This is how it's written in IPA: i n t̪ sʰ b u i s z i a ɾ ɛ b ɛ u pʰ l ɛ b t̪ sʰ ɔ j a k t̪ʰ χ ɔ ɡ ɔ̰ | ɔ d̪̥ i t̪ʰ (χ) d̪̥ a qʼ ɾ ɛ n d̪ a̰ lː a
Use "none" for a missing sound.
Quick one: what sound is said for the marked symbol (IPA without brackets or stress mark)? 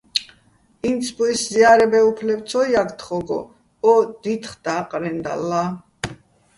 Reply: χ